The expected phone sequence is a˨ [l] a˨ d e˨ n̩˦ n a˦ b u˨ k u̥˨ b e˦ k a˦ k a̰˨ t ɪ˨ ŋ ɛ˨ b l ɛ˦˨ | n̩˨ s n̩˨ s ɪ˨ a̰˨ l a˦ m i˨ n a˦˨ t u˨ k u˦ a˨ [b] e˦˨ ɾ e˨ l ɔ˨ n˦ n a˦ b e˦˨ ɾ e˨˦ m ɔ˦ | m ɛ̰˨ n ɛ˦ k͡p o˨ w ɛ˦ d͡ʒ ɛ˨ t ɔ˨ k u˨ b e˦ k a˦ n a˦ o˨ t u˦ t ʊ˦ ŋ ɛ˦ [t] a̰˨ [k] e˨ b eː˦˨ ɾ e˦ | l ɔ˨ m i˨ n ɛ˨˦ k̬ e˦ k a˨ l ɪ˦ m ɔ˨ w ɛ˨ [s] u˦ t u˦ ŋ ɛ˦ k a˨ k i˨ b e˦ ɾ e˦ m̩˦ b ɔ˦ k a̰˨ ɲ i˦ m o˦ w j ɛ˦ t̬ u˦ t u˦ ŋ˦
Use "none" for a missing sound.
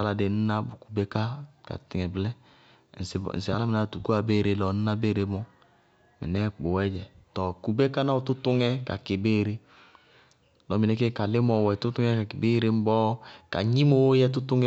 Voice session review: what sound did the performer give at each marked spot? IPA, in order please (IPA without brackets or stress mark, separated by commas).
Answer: l, b, k, k, t